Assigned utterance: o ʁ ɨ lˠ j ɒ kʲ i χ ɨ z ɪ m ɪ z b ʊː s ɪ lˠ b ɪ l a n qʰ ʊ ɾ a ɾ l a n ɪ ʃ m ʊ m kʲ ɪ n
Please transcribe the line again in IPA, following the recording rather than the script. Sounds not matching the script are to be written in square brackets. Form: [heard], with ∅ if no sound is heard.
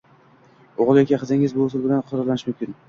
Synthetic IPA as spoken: o ʁ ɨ lˠ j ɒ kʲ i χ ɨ z ɪ [ŋ] ɪ z b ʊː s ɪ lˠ b ɪ l a n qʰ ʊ ɾ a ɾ l a n ɪ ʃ m ʊ m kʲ ɪ n